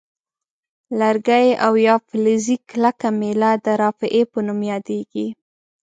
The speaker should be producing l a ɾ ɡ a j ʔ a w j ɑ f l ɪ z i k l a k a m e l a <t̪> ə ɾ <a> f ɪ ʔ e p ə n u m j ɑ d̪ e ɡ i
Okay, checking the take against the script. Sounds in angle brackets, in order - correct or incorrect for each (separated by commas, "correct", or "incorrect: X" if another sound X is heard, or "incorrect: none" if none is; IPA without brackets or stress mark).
incorrect: d̪, incorrect: ɑ